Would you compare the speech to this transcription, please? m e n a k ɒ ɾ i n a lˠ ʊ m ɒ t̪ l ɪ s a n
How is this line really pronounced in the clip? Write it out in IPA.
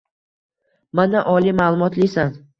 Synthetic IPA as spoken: m a n a ʔ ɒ l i m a lˠ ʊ m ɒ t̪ l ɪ s a n